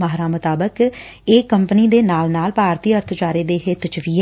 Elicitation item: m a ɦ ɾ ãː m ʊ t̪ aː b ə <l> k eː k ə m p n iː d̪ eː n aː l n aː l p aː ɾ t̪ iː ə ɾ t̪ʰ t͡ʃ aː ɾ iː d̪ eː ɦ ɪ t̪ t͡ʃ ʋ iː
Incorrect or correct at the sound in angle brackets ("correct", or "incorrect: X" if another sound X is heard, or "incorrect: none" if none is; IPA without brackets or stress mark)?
incorrect: none